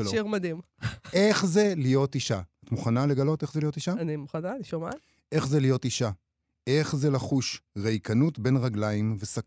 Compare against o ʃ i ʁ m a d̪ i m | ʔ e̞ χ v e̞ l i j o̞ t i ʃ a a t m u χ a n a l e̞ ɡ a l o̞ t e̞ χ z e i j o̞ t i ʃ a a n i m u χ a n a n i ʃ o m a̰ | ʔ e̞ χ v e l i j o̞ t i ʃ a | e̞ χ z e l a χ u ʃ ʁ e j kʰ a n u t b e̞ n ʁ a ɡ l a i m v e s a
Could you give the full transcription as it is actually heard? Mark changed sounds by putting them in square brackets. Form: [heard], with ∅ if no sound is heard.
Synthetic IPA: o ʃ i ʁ m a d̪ i m | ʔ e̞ χ [z] e̞ l i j o̞ t i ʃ a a t m u χ a n a l e̞ ɡ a l o̞ t e̞ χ z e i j o̞ t i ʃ a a n i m u χ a n a n i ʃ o m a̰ | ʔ e̞ χ [z] e l i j o̞ t i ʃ a | e̞ χ z e l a χ u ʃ ʁ e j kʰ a n u t b e̞ n ʁ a ɡ l a i m v e s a